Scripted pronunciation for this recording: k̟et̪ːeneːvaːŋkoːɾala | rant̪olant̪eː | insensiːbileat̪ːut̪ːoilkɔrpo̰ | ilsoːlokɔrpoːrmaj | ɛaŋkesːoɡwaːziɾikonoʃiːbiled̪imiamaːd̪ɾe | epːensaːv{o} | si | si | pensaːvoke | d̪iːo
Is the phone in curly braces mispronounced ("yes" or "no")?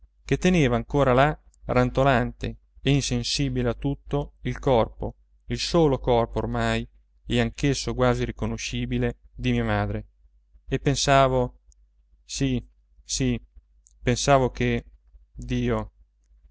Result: no